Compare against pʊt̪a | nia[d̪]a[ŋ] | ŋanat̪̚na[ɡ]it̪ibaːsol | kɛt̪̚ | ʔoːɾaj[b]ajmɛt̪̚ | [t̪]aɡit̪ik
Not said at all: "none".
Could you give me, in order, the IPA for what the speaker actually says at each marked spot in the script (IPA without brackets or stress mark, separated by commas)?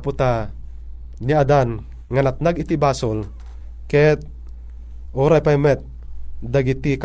d̪, n, ɡ, p, d̪